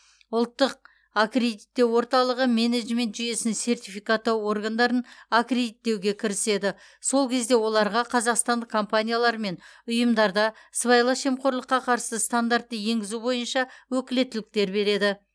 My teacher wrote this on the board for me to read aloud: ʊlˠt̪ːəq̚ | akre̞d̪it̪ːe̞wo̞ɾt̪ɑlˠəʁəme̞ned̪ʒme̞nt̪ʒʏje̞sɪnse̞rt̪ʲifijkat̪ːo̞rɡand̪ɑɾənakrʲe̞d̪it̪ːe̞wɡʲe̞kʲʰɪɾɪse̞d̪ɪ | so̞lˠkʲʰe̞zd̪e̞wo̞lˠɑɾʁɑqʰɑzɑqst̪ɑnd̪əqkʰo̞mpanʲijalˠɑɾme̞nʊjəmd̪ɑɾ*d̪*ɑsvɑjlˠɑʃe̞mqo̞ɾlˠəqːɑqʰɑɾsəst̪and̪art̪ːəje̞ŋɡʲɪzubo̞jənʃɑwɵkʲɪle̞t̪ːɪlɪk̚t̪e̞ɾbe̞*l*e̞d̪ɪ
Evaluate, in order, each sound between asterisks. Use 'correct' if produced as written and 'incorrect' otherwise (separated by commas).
correct, incorrect